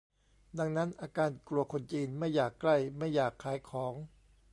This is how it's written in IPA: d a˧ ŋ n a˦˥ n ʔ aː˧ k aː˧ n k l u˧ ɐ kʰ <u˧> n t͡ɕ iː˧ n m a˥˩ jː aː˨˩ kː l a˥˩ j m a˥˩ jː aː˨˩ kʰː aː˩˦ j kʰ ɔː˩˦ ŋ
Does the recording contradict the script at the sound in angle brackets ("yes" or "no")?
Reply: yes